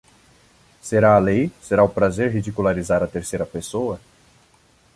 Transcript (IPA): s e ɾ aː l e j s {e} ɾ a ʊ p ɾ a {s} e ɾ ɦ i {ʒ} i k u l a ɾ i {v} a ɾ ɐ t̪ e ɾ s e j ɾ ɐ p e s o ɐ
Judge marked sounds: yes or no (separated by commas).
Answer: yes, no, no, no